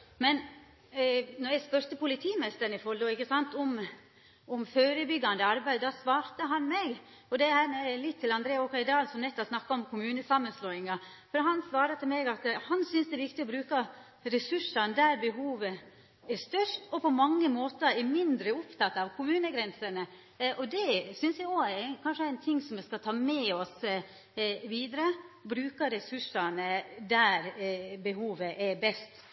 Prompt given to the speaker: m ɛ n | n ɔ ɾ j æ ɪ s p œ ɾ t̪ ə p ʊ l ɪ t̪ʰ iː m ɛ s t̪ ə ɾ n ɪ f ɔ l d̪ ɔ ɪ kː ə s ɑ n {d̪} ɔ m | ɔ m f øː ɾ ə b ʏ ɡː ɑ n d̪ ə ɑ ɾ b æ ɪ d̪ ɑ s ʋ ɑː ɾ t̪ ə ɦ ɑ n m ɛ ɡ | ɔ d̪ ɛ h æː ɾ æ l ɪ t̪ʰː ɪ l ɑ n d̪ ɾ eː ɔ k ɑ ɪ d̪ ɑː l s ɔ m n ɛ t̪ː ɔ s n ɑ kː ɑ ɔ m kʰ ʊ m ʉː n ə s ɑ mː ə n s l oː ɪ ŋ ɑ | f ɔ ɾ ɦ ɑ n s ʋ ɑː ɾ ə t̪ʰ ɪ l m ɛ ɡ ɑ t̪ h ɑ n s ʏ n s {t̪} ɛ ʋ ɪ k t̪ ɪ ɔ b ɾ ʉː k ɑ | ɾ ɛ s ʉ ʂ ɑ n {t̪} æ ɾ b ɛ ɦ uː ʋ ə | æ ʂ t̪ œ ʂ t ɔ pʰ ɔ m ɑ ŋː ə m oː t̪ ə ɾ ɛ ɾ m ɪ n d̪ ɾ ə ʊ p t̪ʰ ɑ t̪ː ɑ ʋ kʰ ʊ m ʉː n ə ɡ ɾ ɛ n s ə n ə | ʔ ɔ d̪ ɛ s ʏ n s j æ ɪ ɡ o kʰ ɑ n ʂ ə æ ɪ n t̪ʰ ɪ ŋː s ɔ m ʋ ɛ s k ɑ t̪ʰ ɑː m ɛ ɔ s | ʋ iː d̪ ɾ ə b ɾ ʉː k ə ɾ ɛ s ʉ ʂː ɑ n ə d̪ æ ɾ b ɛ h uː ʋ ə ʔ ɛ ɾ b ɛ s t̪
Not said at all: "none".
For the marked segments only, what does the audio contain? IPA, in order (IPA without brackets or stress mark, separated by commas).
t̪, d̪, d̪